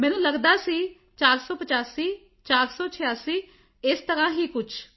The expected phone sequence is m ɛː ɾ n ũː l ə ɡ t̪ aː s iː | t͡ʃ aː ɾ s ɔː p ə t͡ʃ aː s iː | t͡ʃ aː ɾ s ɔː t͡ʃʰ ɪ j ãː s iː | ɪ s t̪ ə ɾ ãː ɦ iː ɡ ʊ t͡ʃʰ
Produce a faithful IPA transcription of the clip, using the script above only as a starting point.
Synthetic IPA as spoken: m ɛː n ũː l ə ɡ d̪ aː s iː | t͡ʃ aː ɾ s ɔː p ə t͡ʃ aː s iː | t͡ʃ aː ɾ s ɔː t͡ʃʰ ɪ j aː s iː | ɪ s t̪ ə ɾ ãː ɦ iː k ʊ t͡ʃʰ